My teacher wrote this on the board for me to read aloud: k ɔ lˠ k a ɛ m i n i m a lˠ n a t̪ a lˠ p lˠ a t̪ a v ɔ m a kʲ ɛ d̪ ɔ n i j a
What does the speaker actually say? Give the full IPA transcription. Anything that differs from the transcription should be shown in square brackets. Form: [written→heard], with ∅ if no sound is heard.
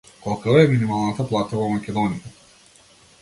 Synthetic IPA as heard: k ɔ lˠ k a ɛ m i n i m a lˠ n a t̪ a [lˠ→∅] p lˠ a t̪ a v ɔ m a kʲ ɛ d̪ ɔ n i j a